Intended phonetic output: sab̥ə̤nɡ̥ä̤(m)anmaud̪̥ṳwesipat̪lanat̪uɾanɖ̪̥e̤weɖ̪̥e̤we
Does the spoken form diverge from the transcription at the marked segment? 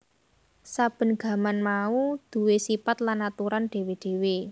no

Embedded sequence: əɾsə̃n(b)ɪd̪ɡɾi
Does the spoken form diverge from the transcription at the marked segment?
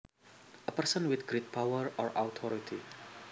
yes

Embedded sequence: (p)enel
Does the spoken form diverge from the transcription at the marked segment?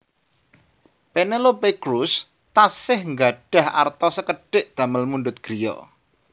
no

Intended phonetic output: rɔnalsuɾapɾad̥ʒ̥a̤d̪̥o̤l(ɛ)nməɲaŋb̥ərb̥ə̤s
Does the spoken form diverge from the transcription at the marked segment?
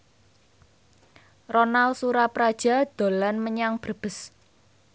yes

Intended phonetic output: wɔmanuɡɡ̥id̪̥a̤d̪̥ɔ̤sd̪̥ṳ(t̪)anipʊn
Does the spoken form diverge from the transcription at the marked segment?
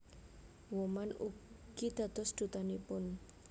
no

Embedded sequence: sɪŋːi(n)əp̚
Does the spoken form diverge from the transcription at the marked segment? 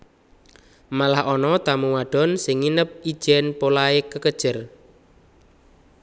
no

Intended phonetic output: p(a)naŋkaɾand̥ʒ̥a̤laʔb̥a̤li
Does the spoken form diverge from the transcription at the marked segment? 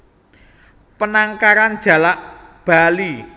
yes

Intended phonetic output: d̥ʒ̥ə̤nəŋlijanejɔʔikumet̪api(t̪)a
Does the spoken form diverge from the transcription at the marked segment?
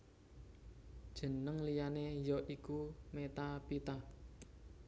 no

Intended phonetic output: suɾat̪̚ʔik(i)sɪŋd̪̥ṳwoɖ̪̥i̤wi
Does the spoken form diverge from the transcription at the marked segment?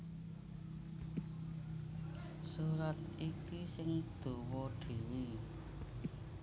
no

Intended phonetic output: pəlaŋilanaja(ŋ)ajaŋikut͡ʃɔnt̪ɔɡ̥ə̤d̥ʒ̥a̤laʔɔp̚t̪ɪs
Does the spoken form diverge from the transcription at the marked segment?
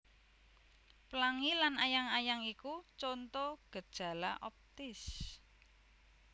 no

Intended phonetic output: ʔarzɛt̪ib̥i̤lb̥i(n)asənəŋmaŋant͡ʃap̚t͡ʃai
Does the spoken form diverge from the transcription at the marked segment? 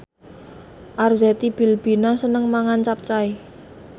no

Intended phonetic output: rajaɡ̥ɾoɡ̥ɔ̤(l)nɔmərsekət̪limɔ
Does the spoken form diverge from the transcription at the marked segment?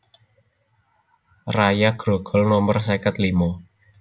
no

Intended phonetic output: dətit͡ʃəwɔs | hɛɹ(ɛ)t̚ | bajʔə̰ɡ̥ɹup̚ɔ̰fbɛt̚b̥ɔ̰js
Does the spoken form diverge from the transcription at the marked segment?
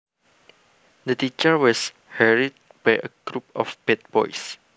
yes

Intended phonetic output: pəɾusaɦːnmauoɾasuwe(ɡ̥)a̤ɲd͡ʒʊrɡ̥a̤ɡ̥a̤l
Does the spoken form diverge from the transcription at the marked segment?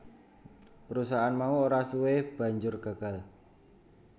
yes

